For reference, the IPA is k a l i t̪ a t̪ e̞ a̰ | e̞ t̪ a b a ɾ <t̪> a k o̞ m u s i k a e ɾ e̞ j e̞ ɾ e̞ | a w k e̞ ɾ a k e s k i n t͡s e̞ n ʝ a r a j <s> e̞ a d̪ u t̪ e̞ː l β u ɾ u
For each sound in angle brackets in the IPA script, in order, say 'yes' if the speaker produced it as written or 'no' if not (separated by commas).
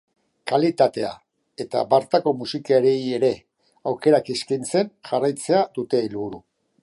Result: yes, no